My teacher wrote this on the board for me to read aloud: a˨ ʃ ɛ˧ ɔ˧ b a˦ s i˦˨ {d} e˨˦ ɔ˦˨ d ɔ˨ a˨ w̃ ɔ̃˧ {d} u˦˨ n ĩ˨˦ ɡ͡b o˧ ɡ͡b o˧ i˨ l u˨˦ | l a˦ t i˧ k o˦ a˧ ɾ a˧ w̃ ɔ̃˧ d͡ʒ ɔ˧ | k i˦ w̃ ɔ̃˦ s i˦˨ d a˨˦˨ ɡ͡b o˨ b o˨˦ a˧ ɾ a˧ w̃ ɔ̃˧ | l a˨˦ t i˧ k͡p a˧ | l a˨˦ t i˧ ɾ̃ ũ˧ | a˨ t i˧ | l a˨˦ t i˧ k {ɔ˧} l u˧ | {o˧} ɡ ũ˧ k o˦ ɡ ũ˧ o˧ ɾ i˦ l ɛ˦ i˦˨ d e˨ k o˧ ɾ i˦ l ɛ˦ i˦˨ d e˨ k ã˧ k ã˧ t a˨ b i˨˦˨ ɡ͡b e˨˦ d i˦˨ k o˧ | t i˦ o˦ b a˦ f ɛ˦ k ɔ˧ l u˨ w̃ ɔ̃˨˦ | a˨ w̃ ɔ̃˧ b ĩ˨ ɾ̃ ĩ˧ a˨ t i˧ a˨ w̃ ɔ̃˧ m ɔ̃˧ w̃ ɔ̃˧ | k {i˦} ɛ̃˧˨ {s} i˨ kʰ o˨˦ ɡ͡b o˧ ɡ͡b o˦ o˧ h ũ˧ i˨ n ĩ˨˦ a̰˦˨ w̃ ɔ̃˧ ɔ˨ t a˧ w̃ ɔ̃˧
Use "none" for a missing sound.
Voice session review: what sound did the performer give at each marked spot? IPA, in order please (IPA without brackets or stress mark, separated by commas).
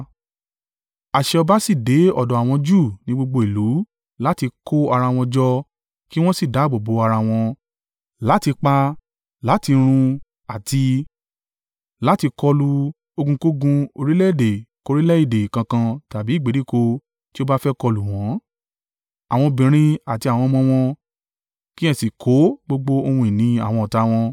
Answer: d, d͡ʒ, ɔ˧, o˧, i˦, s